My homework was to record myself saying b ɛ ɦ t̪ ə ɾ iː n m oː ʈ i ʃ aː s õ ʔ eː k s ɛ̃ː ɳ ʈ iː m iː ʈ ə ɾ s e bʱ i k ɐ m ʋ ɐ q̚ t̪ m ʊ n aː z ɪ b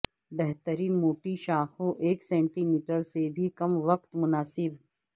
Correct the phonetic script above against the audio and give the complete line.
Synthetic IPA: b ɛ ɦ t̪ ə ɾ iː n m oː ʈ i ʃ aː x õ ʔ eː k s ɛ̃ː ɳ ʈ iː m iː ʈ ə ɾ s e bʱ i k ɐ m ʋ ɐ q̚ t̪ m ʊ n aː s ɪ b